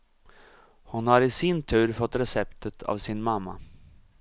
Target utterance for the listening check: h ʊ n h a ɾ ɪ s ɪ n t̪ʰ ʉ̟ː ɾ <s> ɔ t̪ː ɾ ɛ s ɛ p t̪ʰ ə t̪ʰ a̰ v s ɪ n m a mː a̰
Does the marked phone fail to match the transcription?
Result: yes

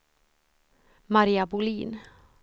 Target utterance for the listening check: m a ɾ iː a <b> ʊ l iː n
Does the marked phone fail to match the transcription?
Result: no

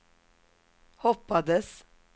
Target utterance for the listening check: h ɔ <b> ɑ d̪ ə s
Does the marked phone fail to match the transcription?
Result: yes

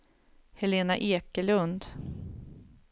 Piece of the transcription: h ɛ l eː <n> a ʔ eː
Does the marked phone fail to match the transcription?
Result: no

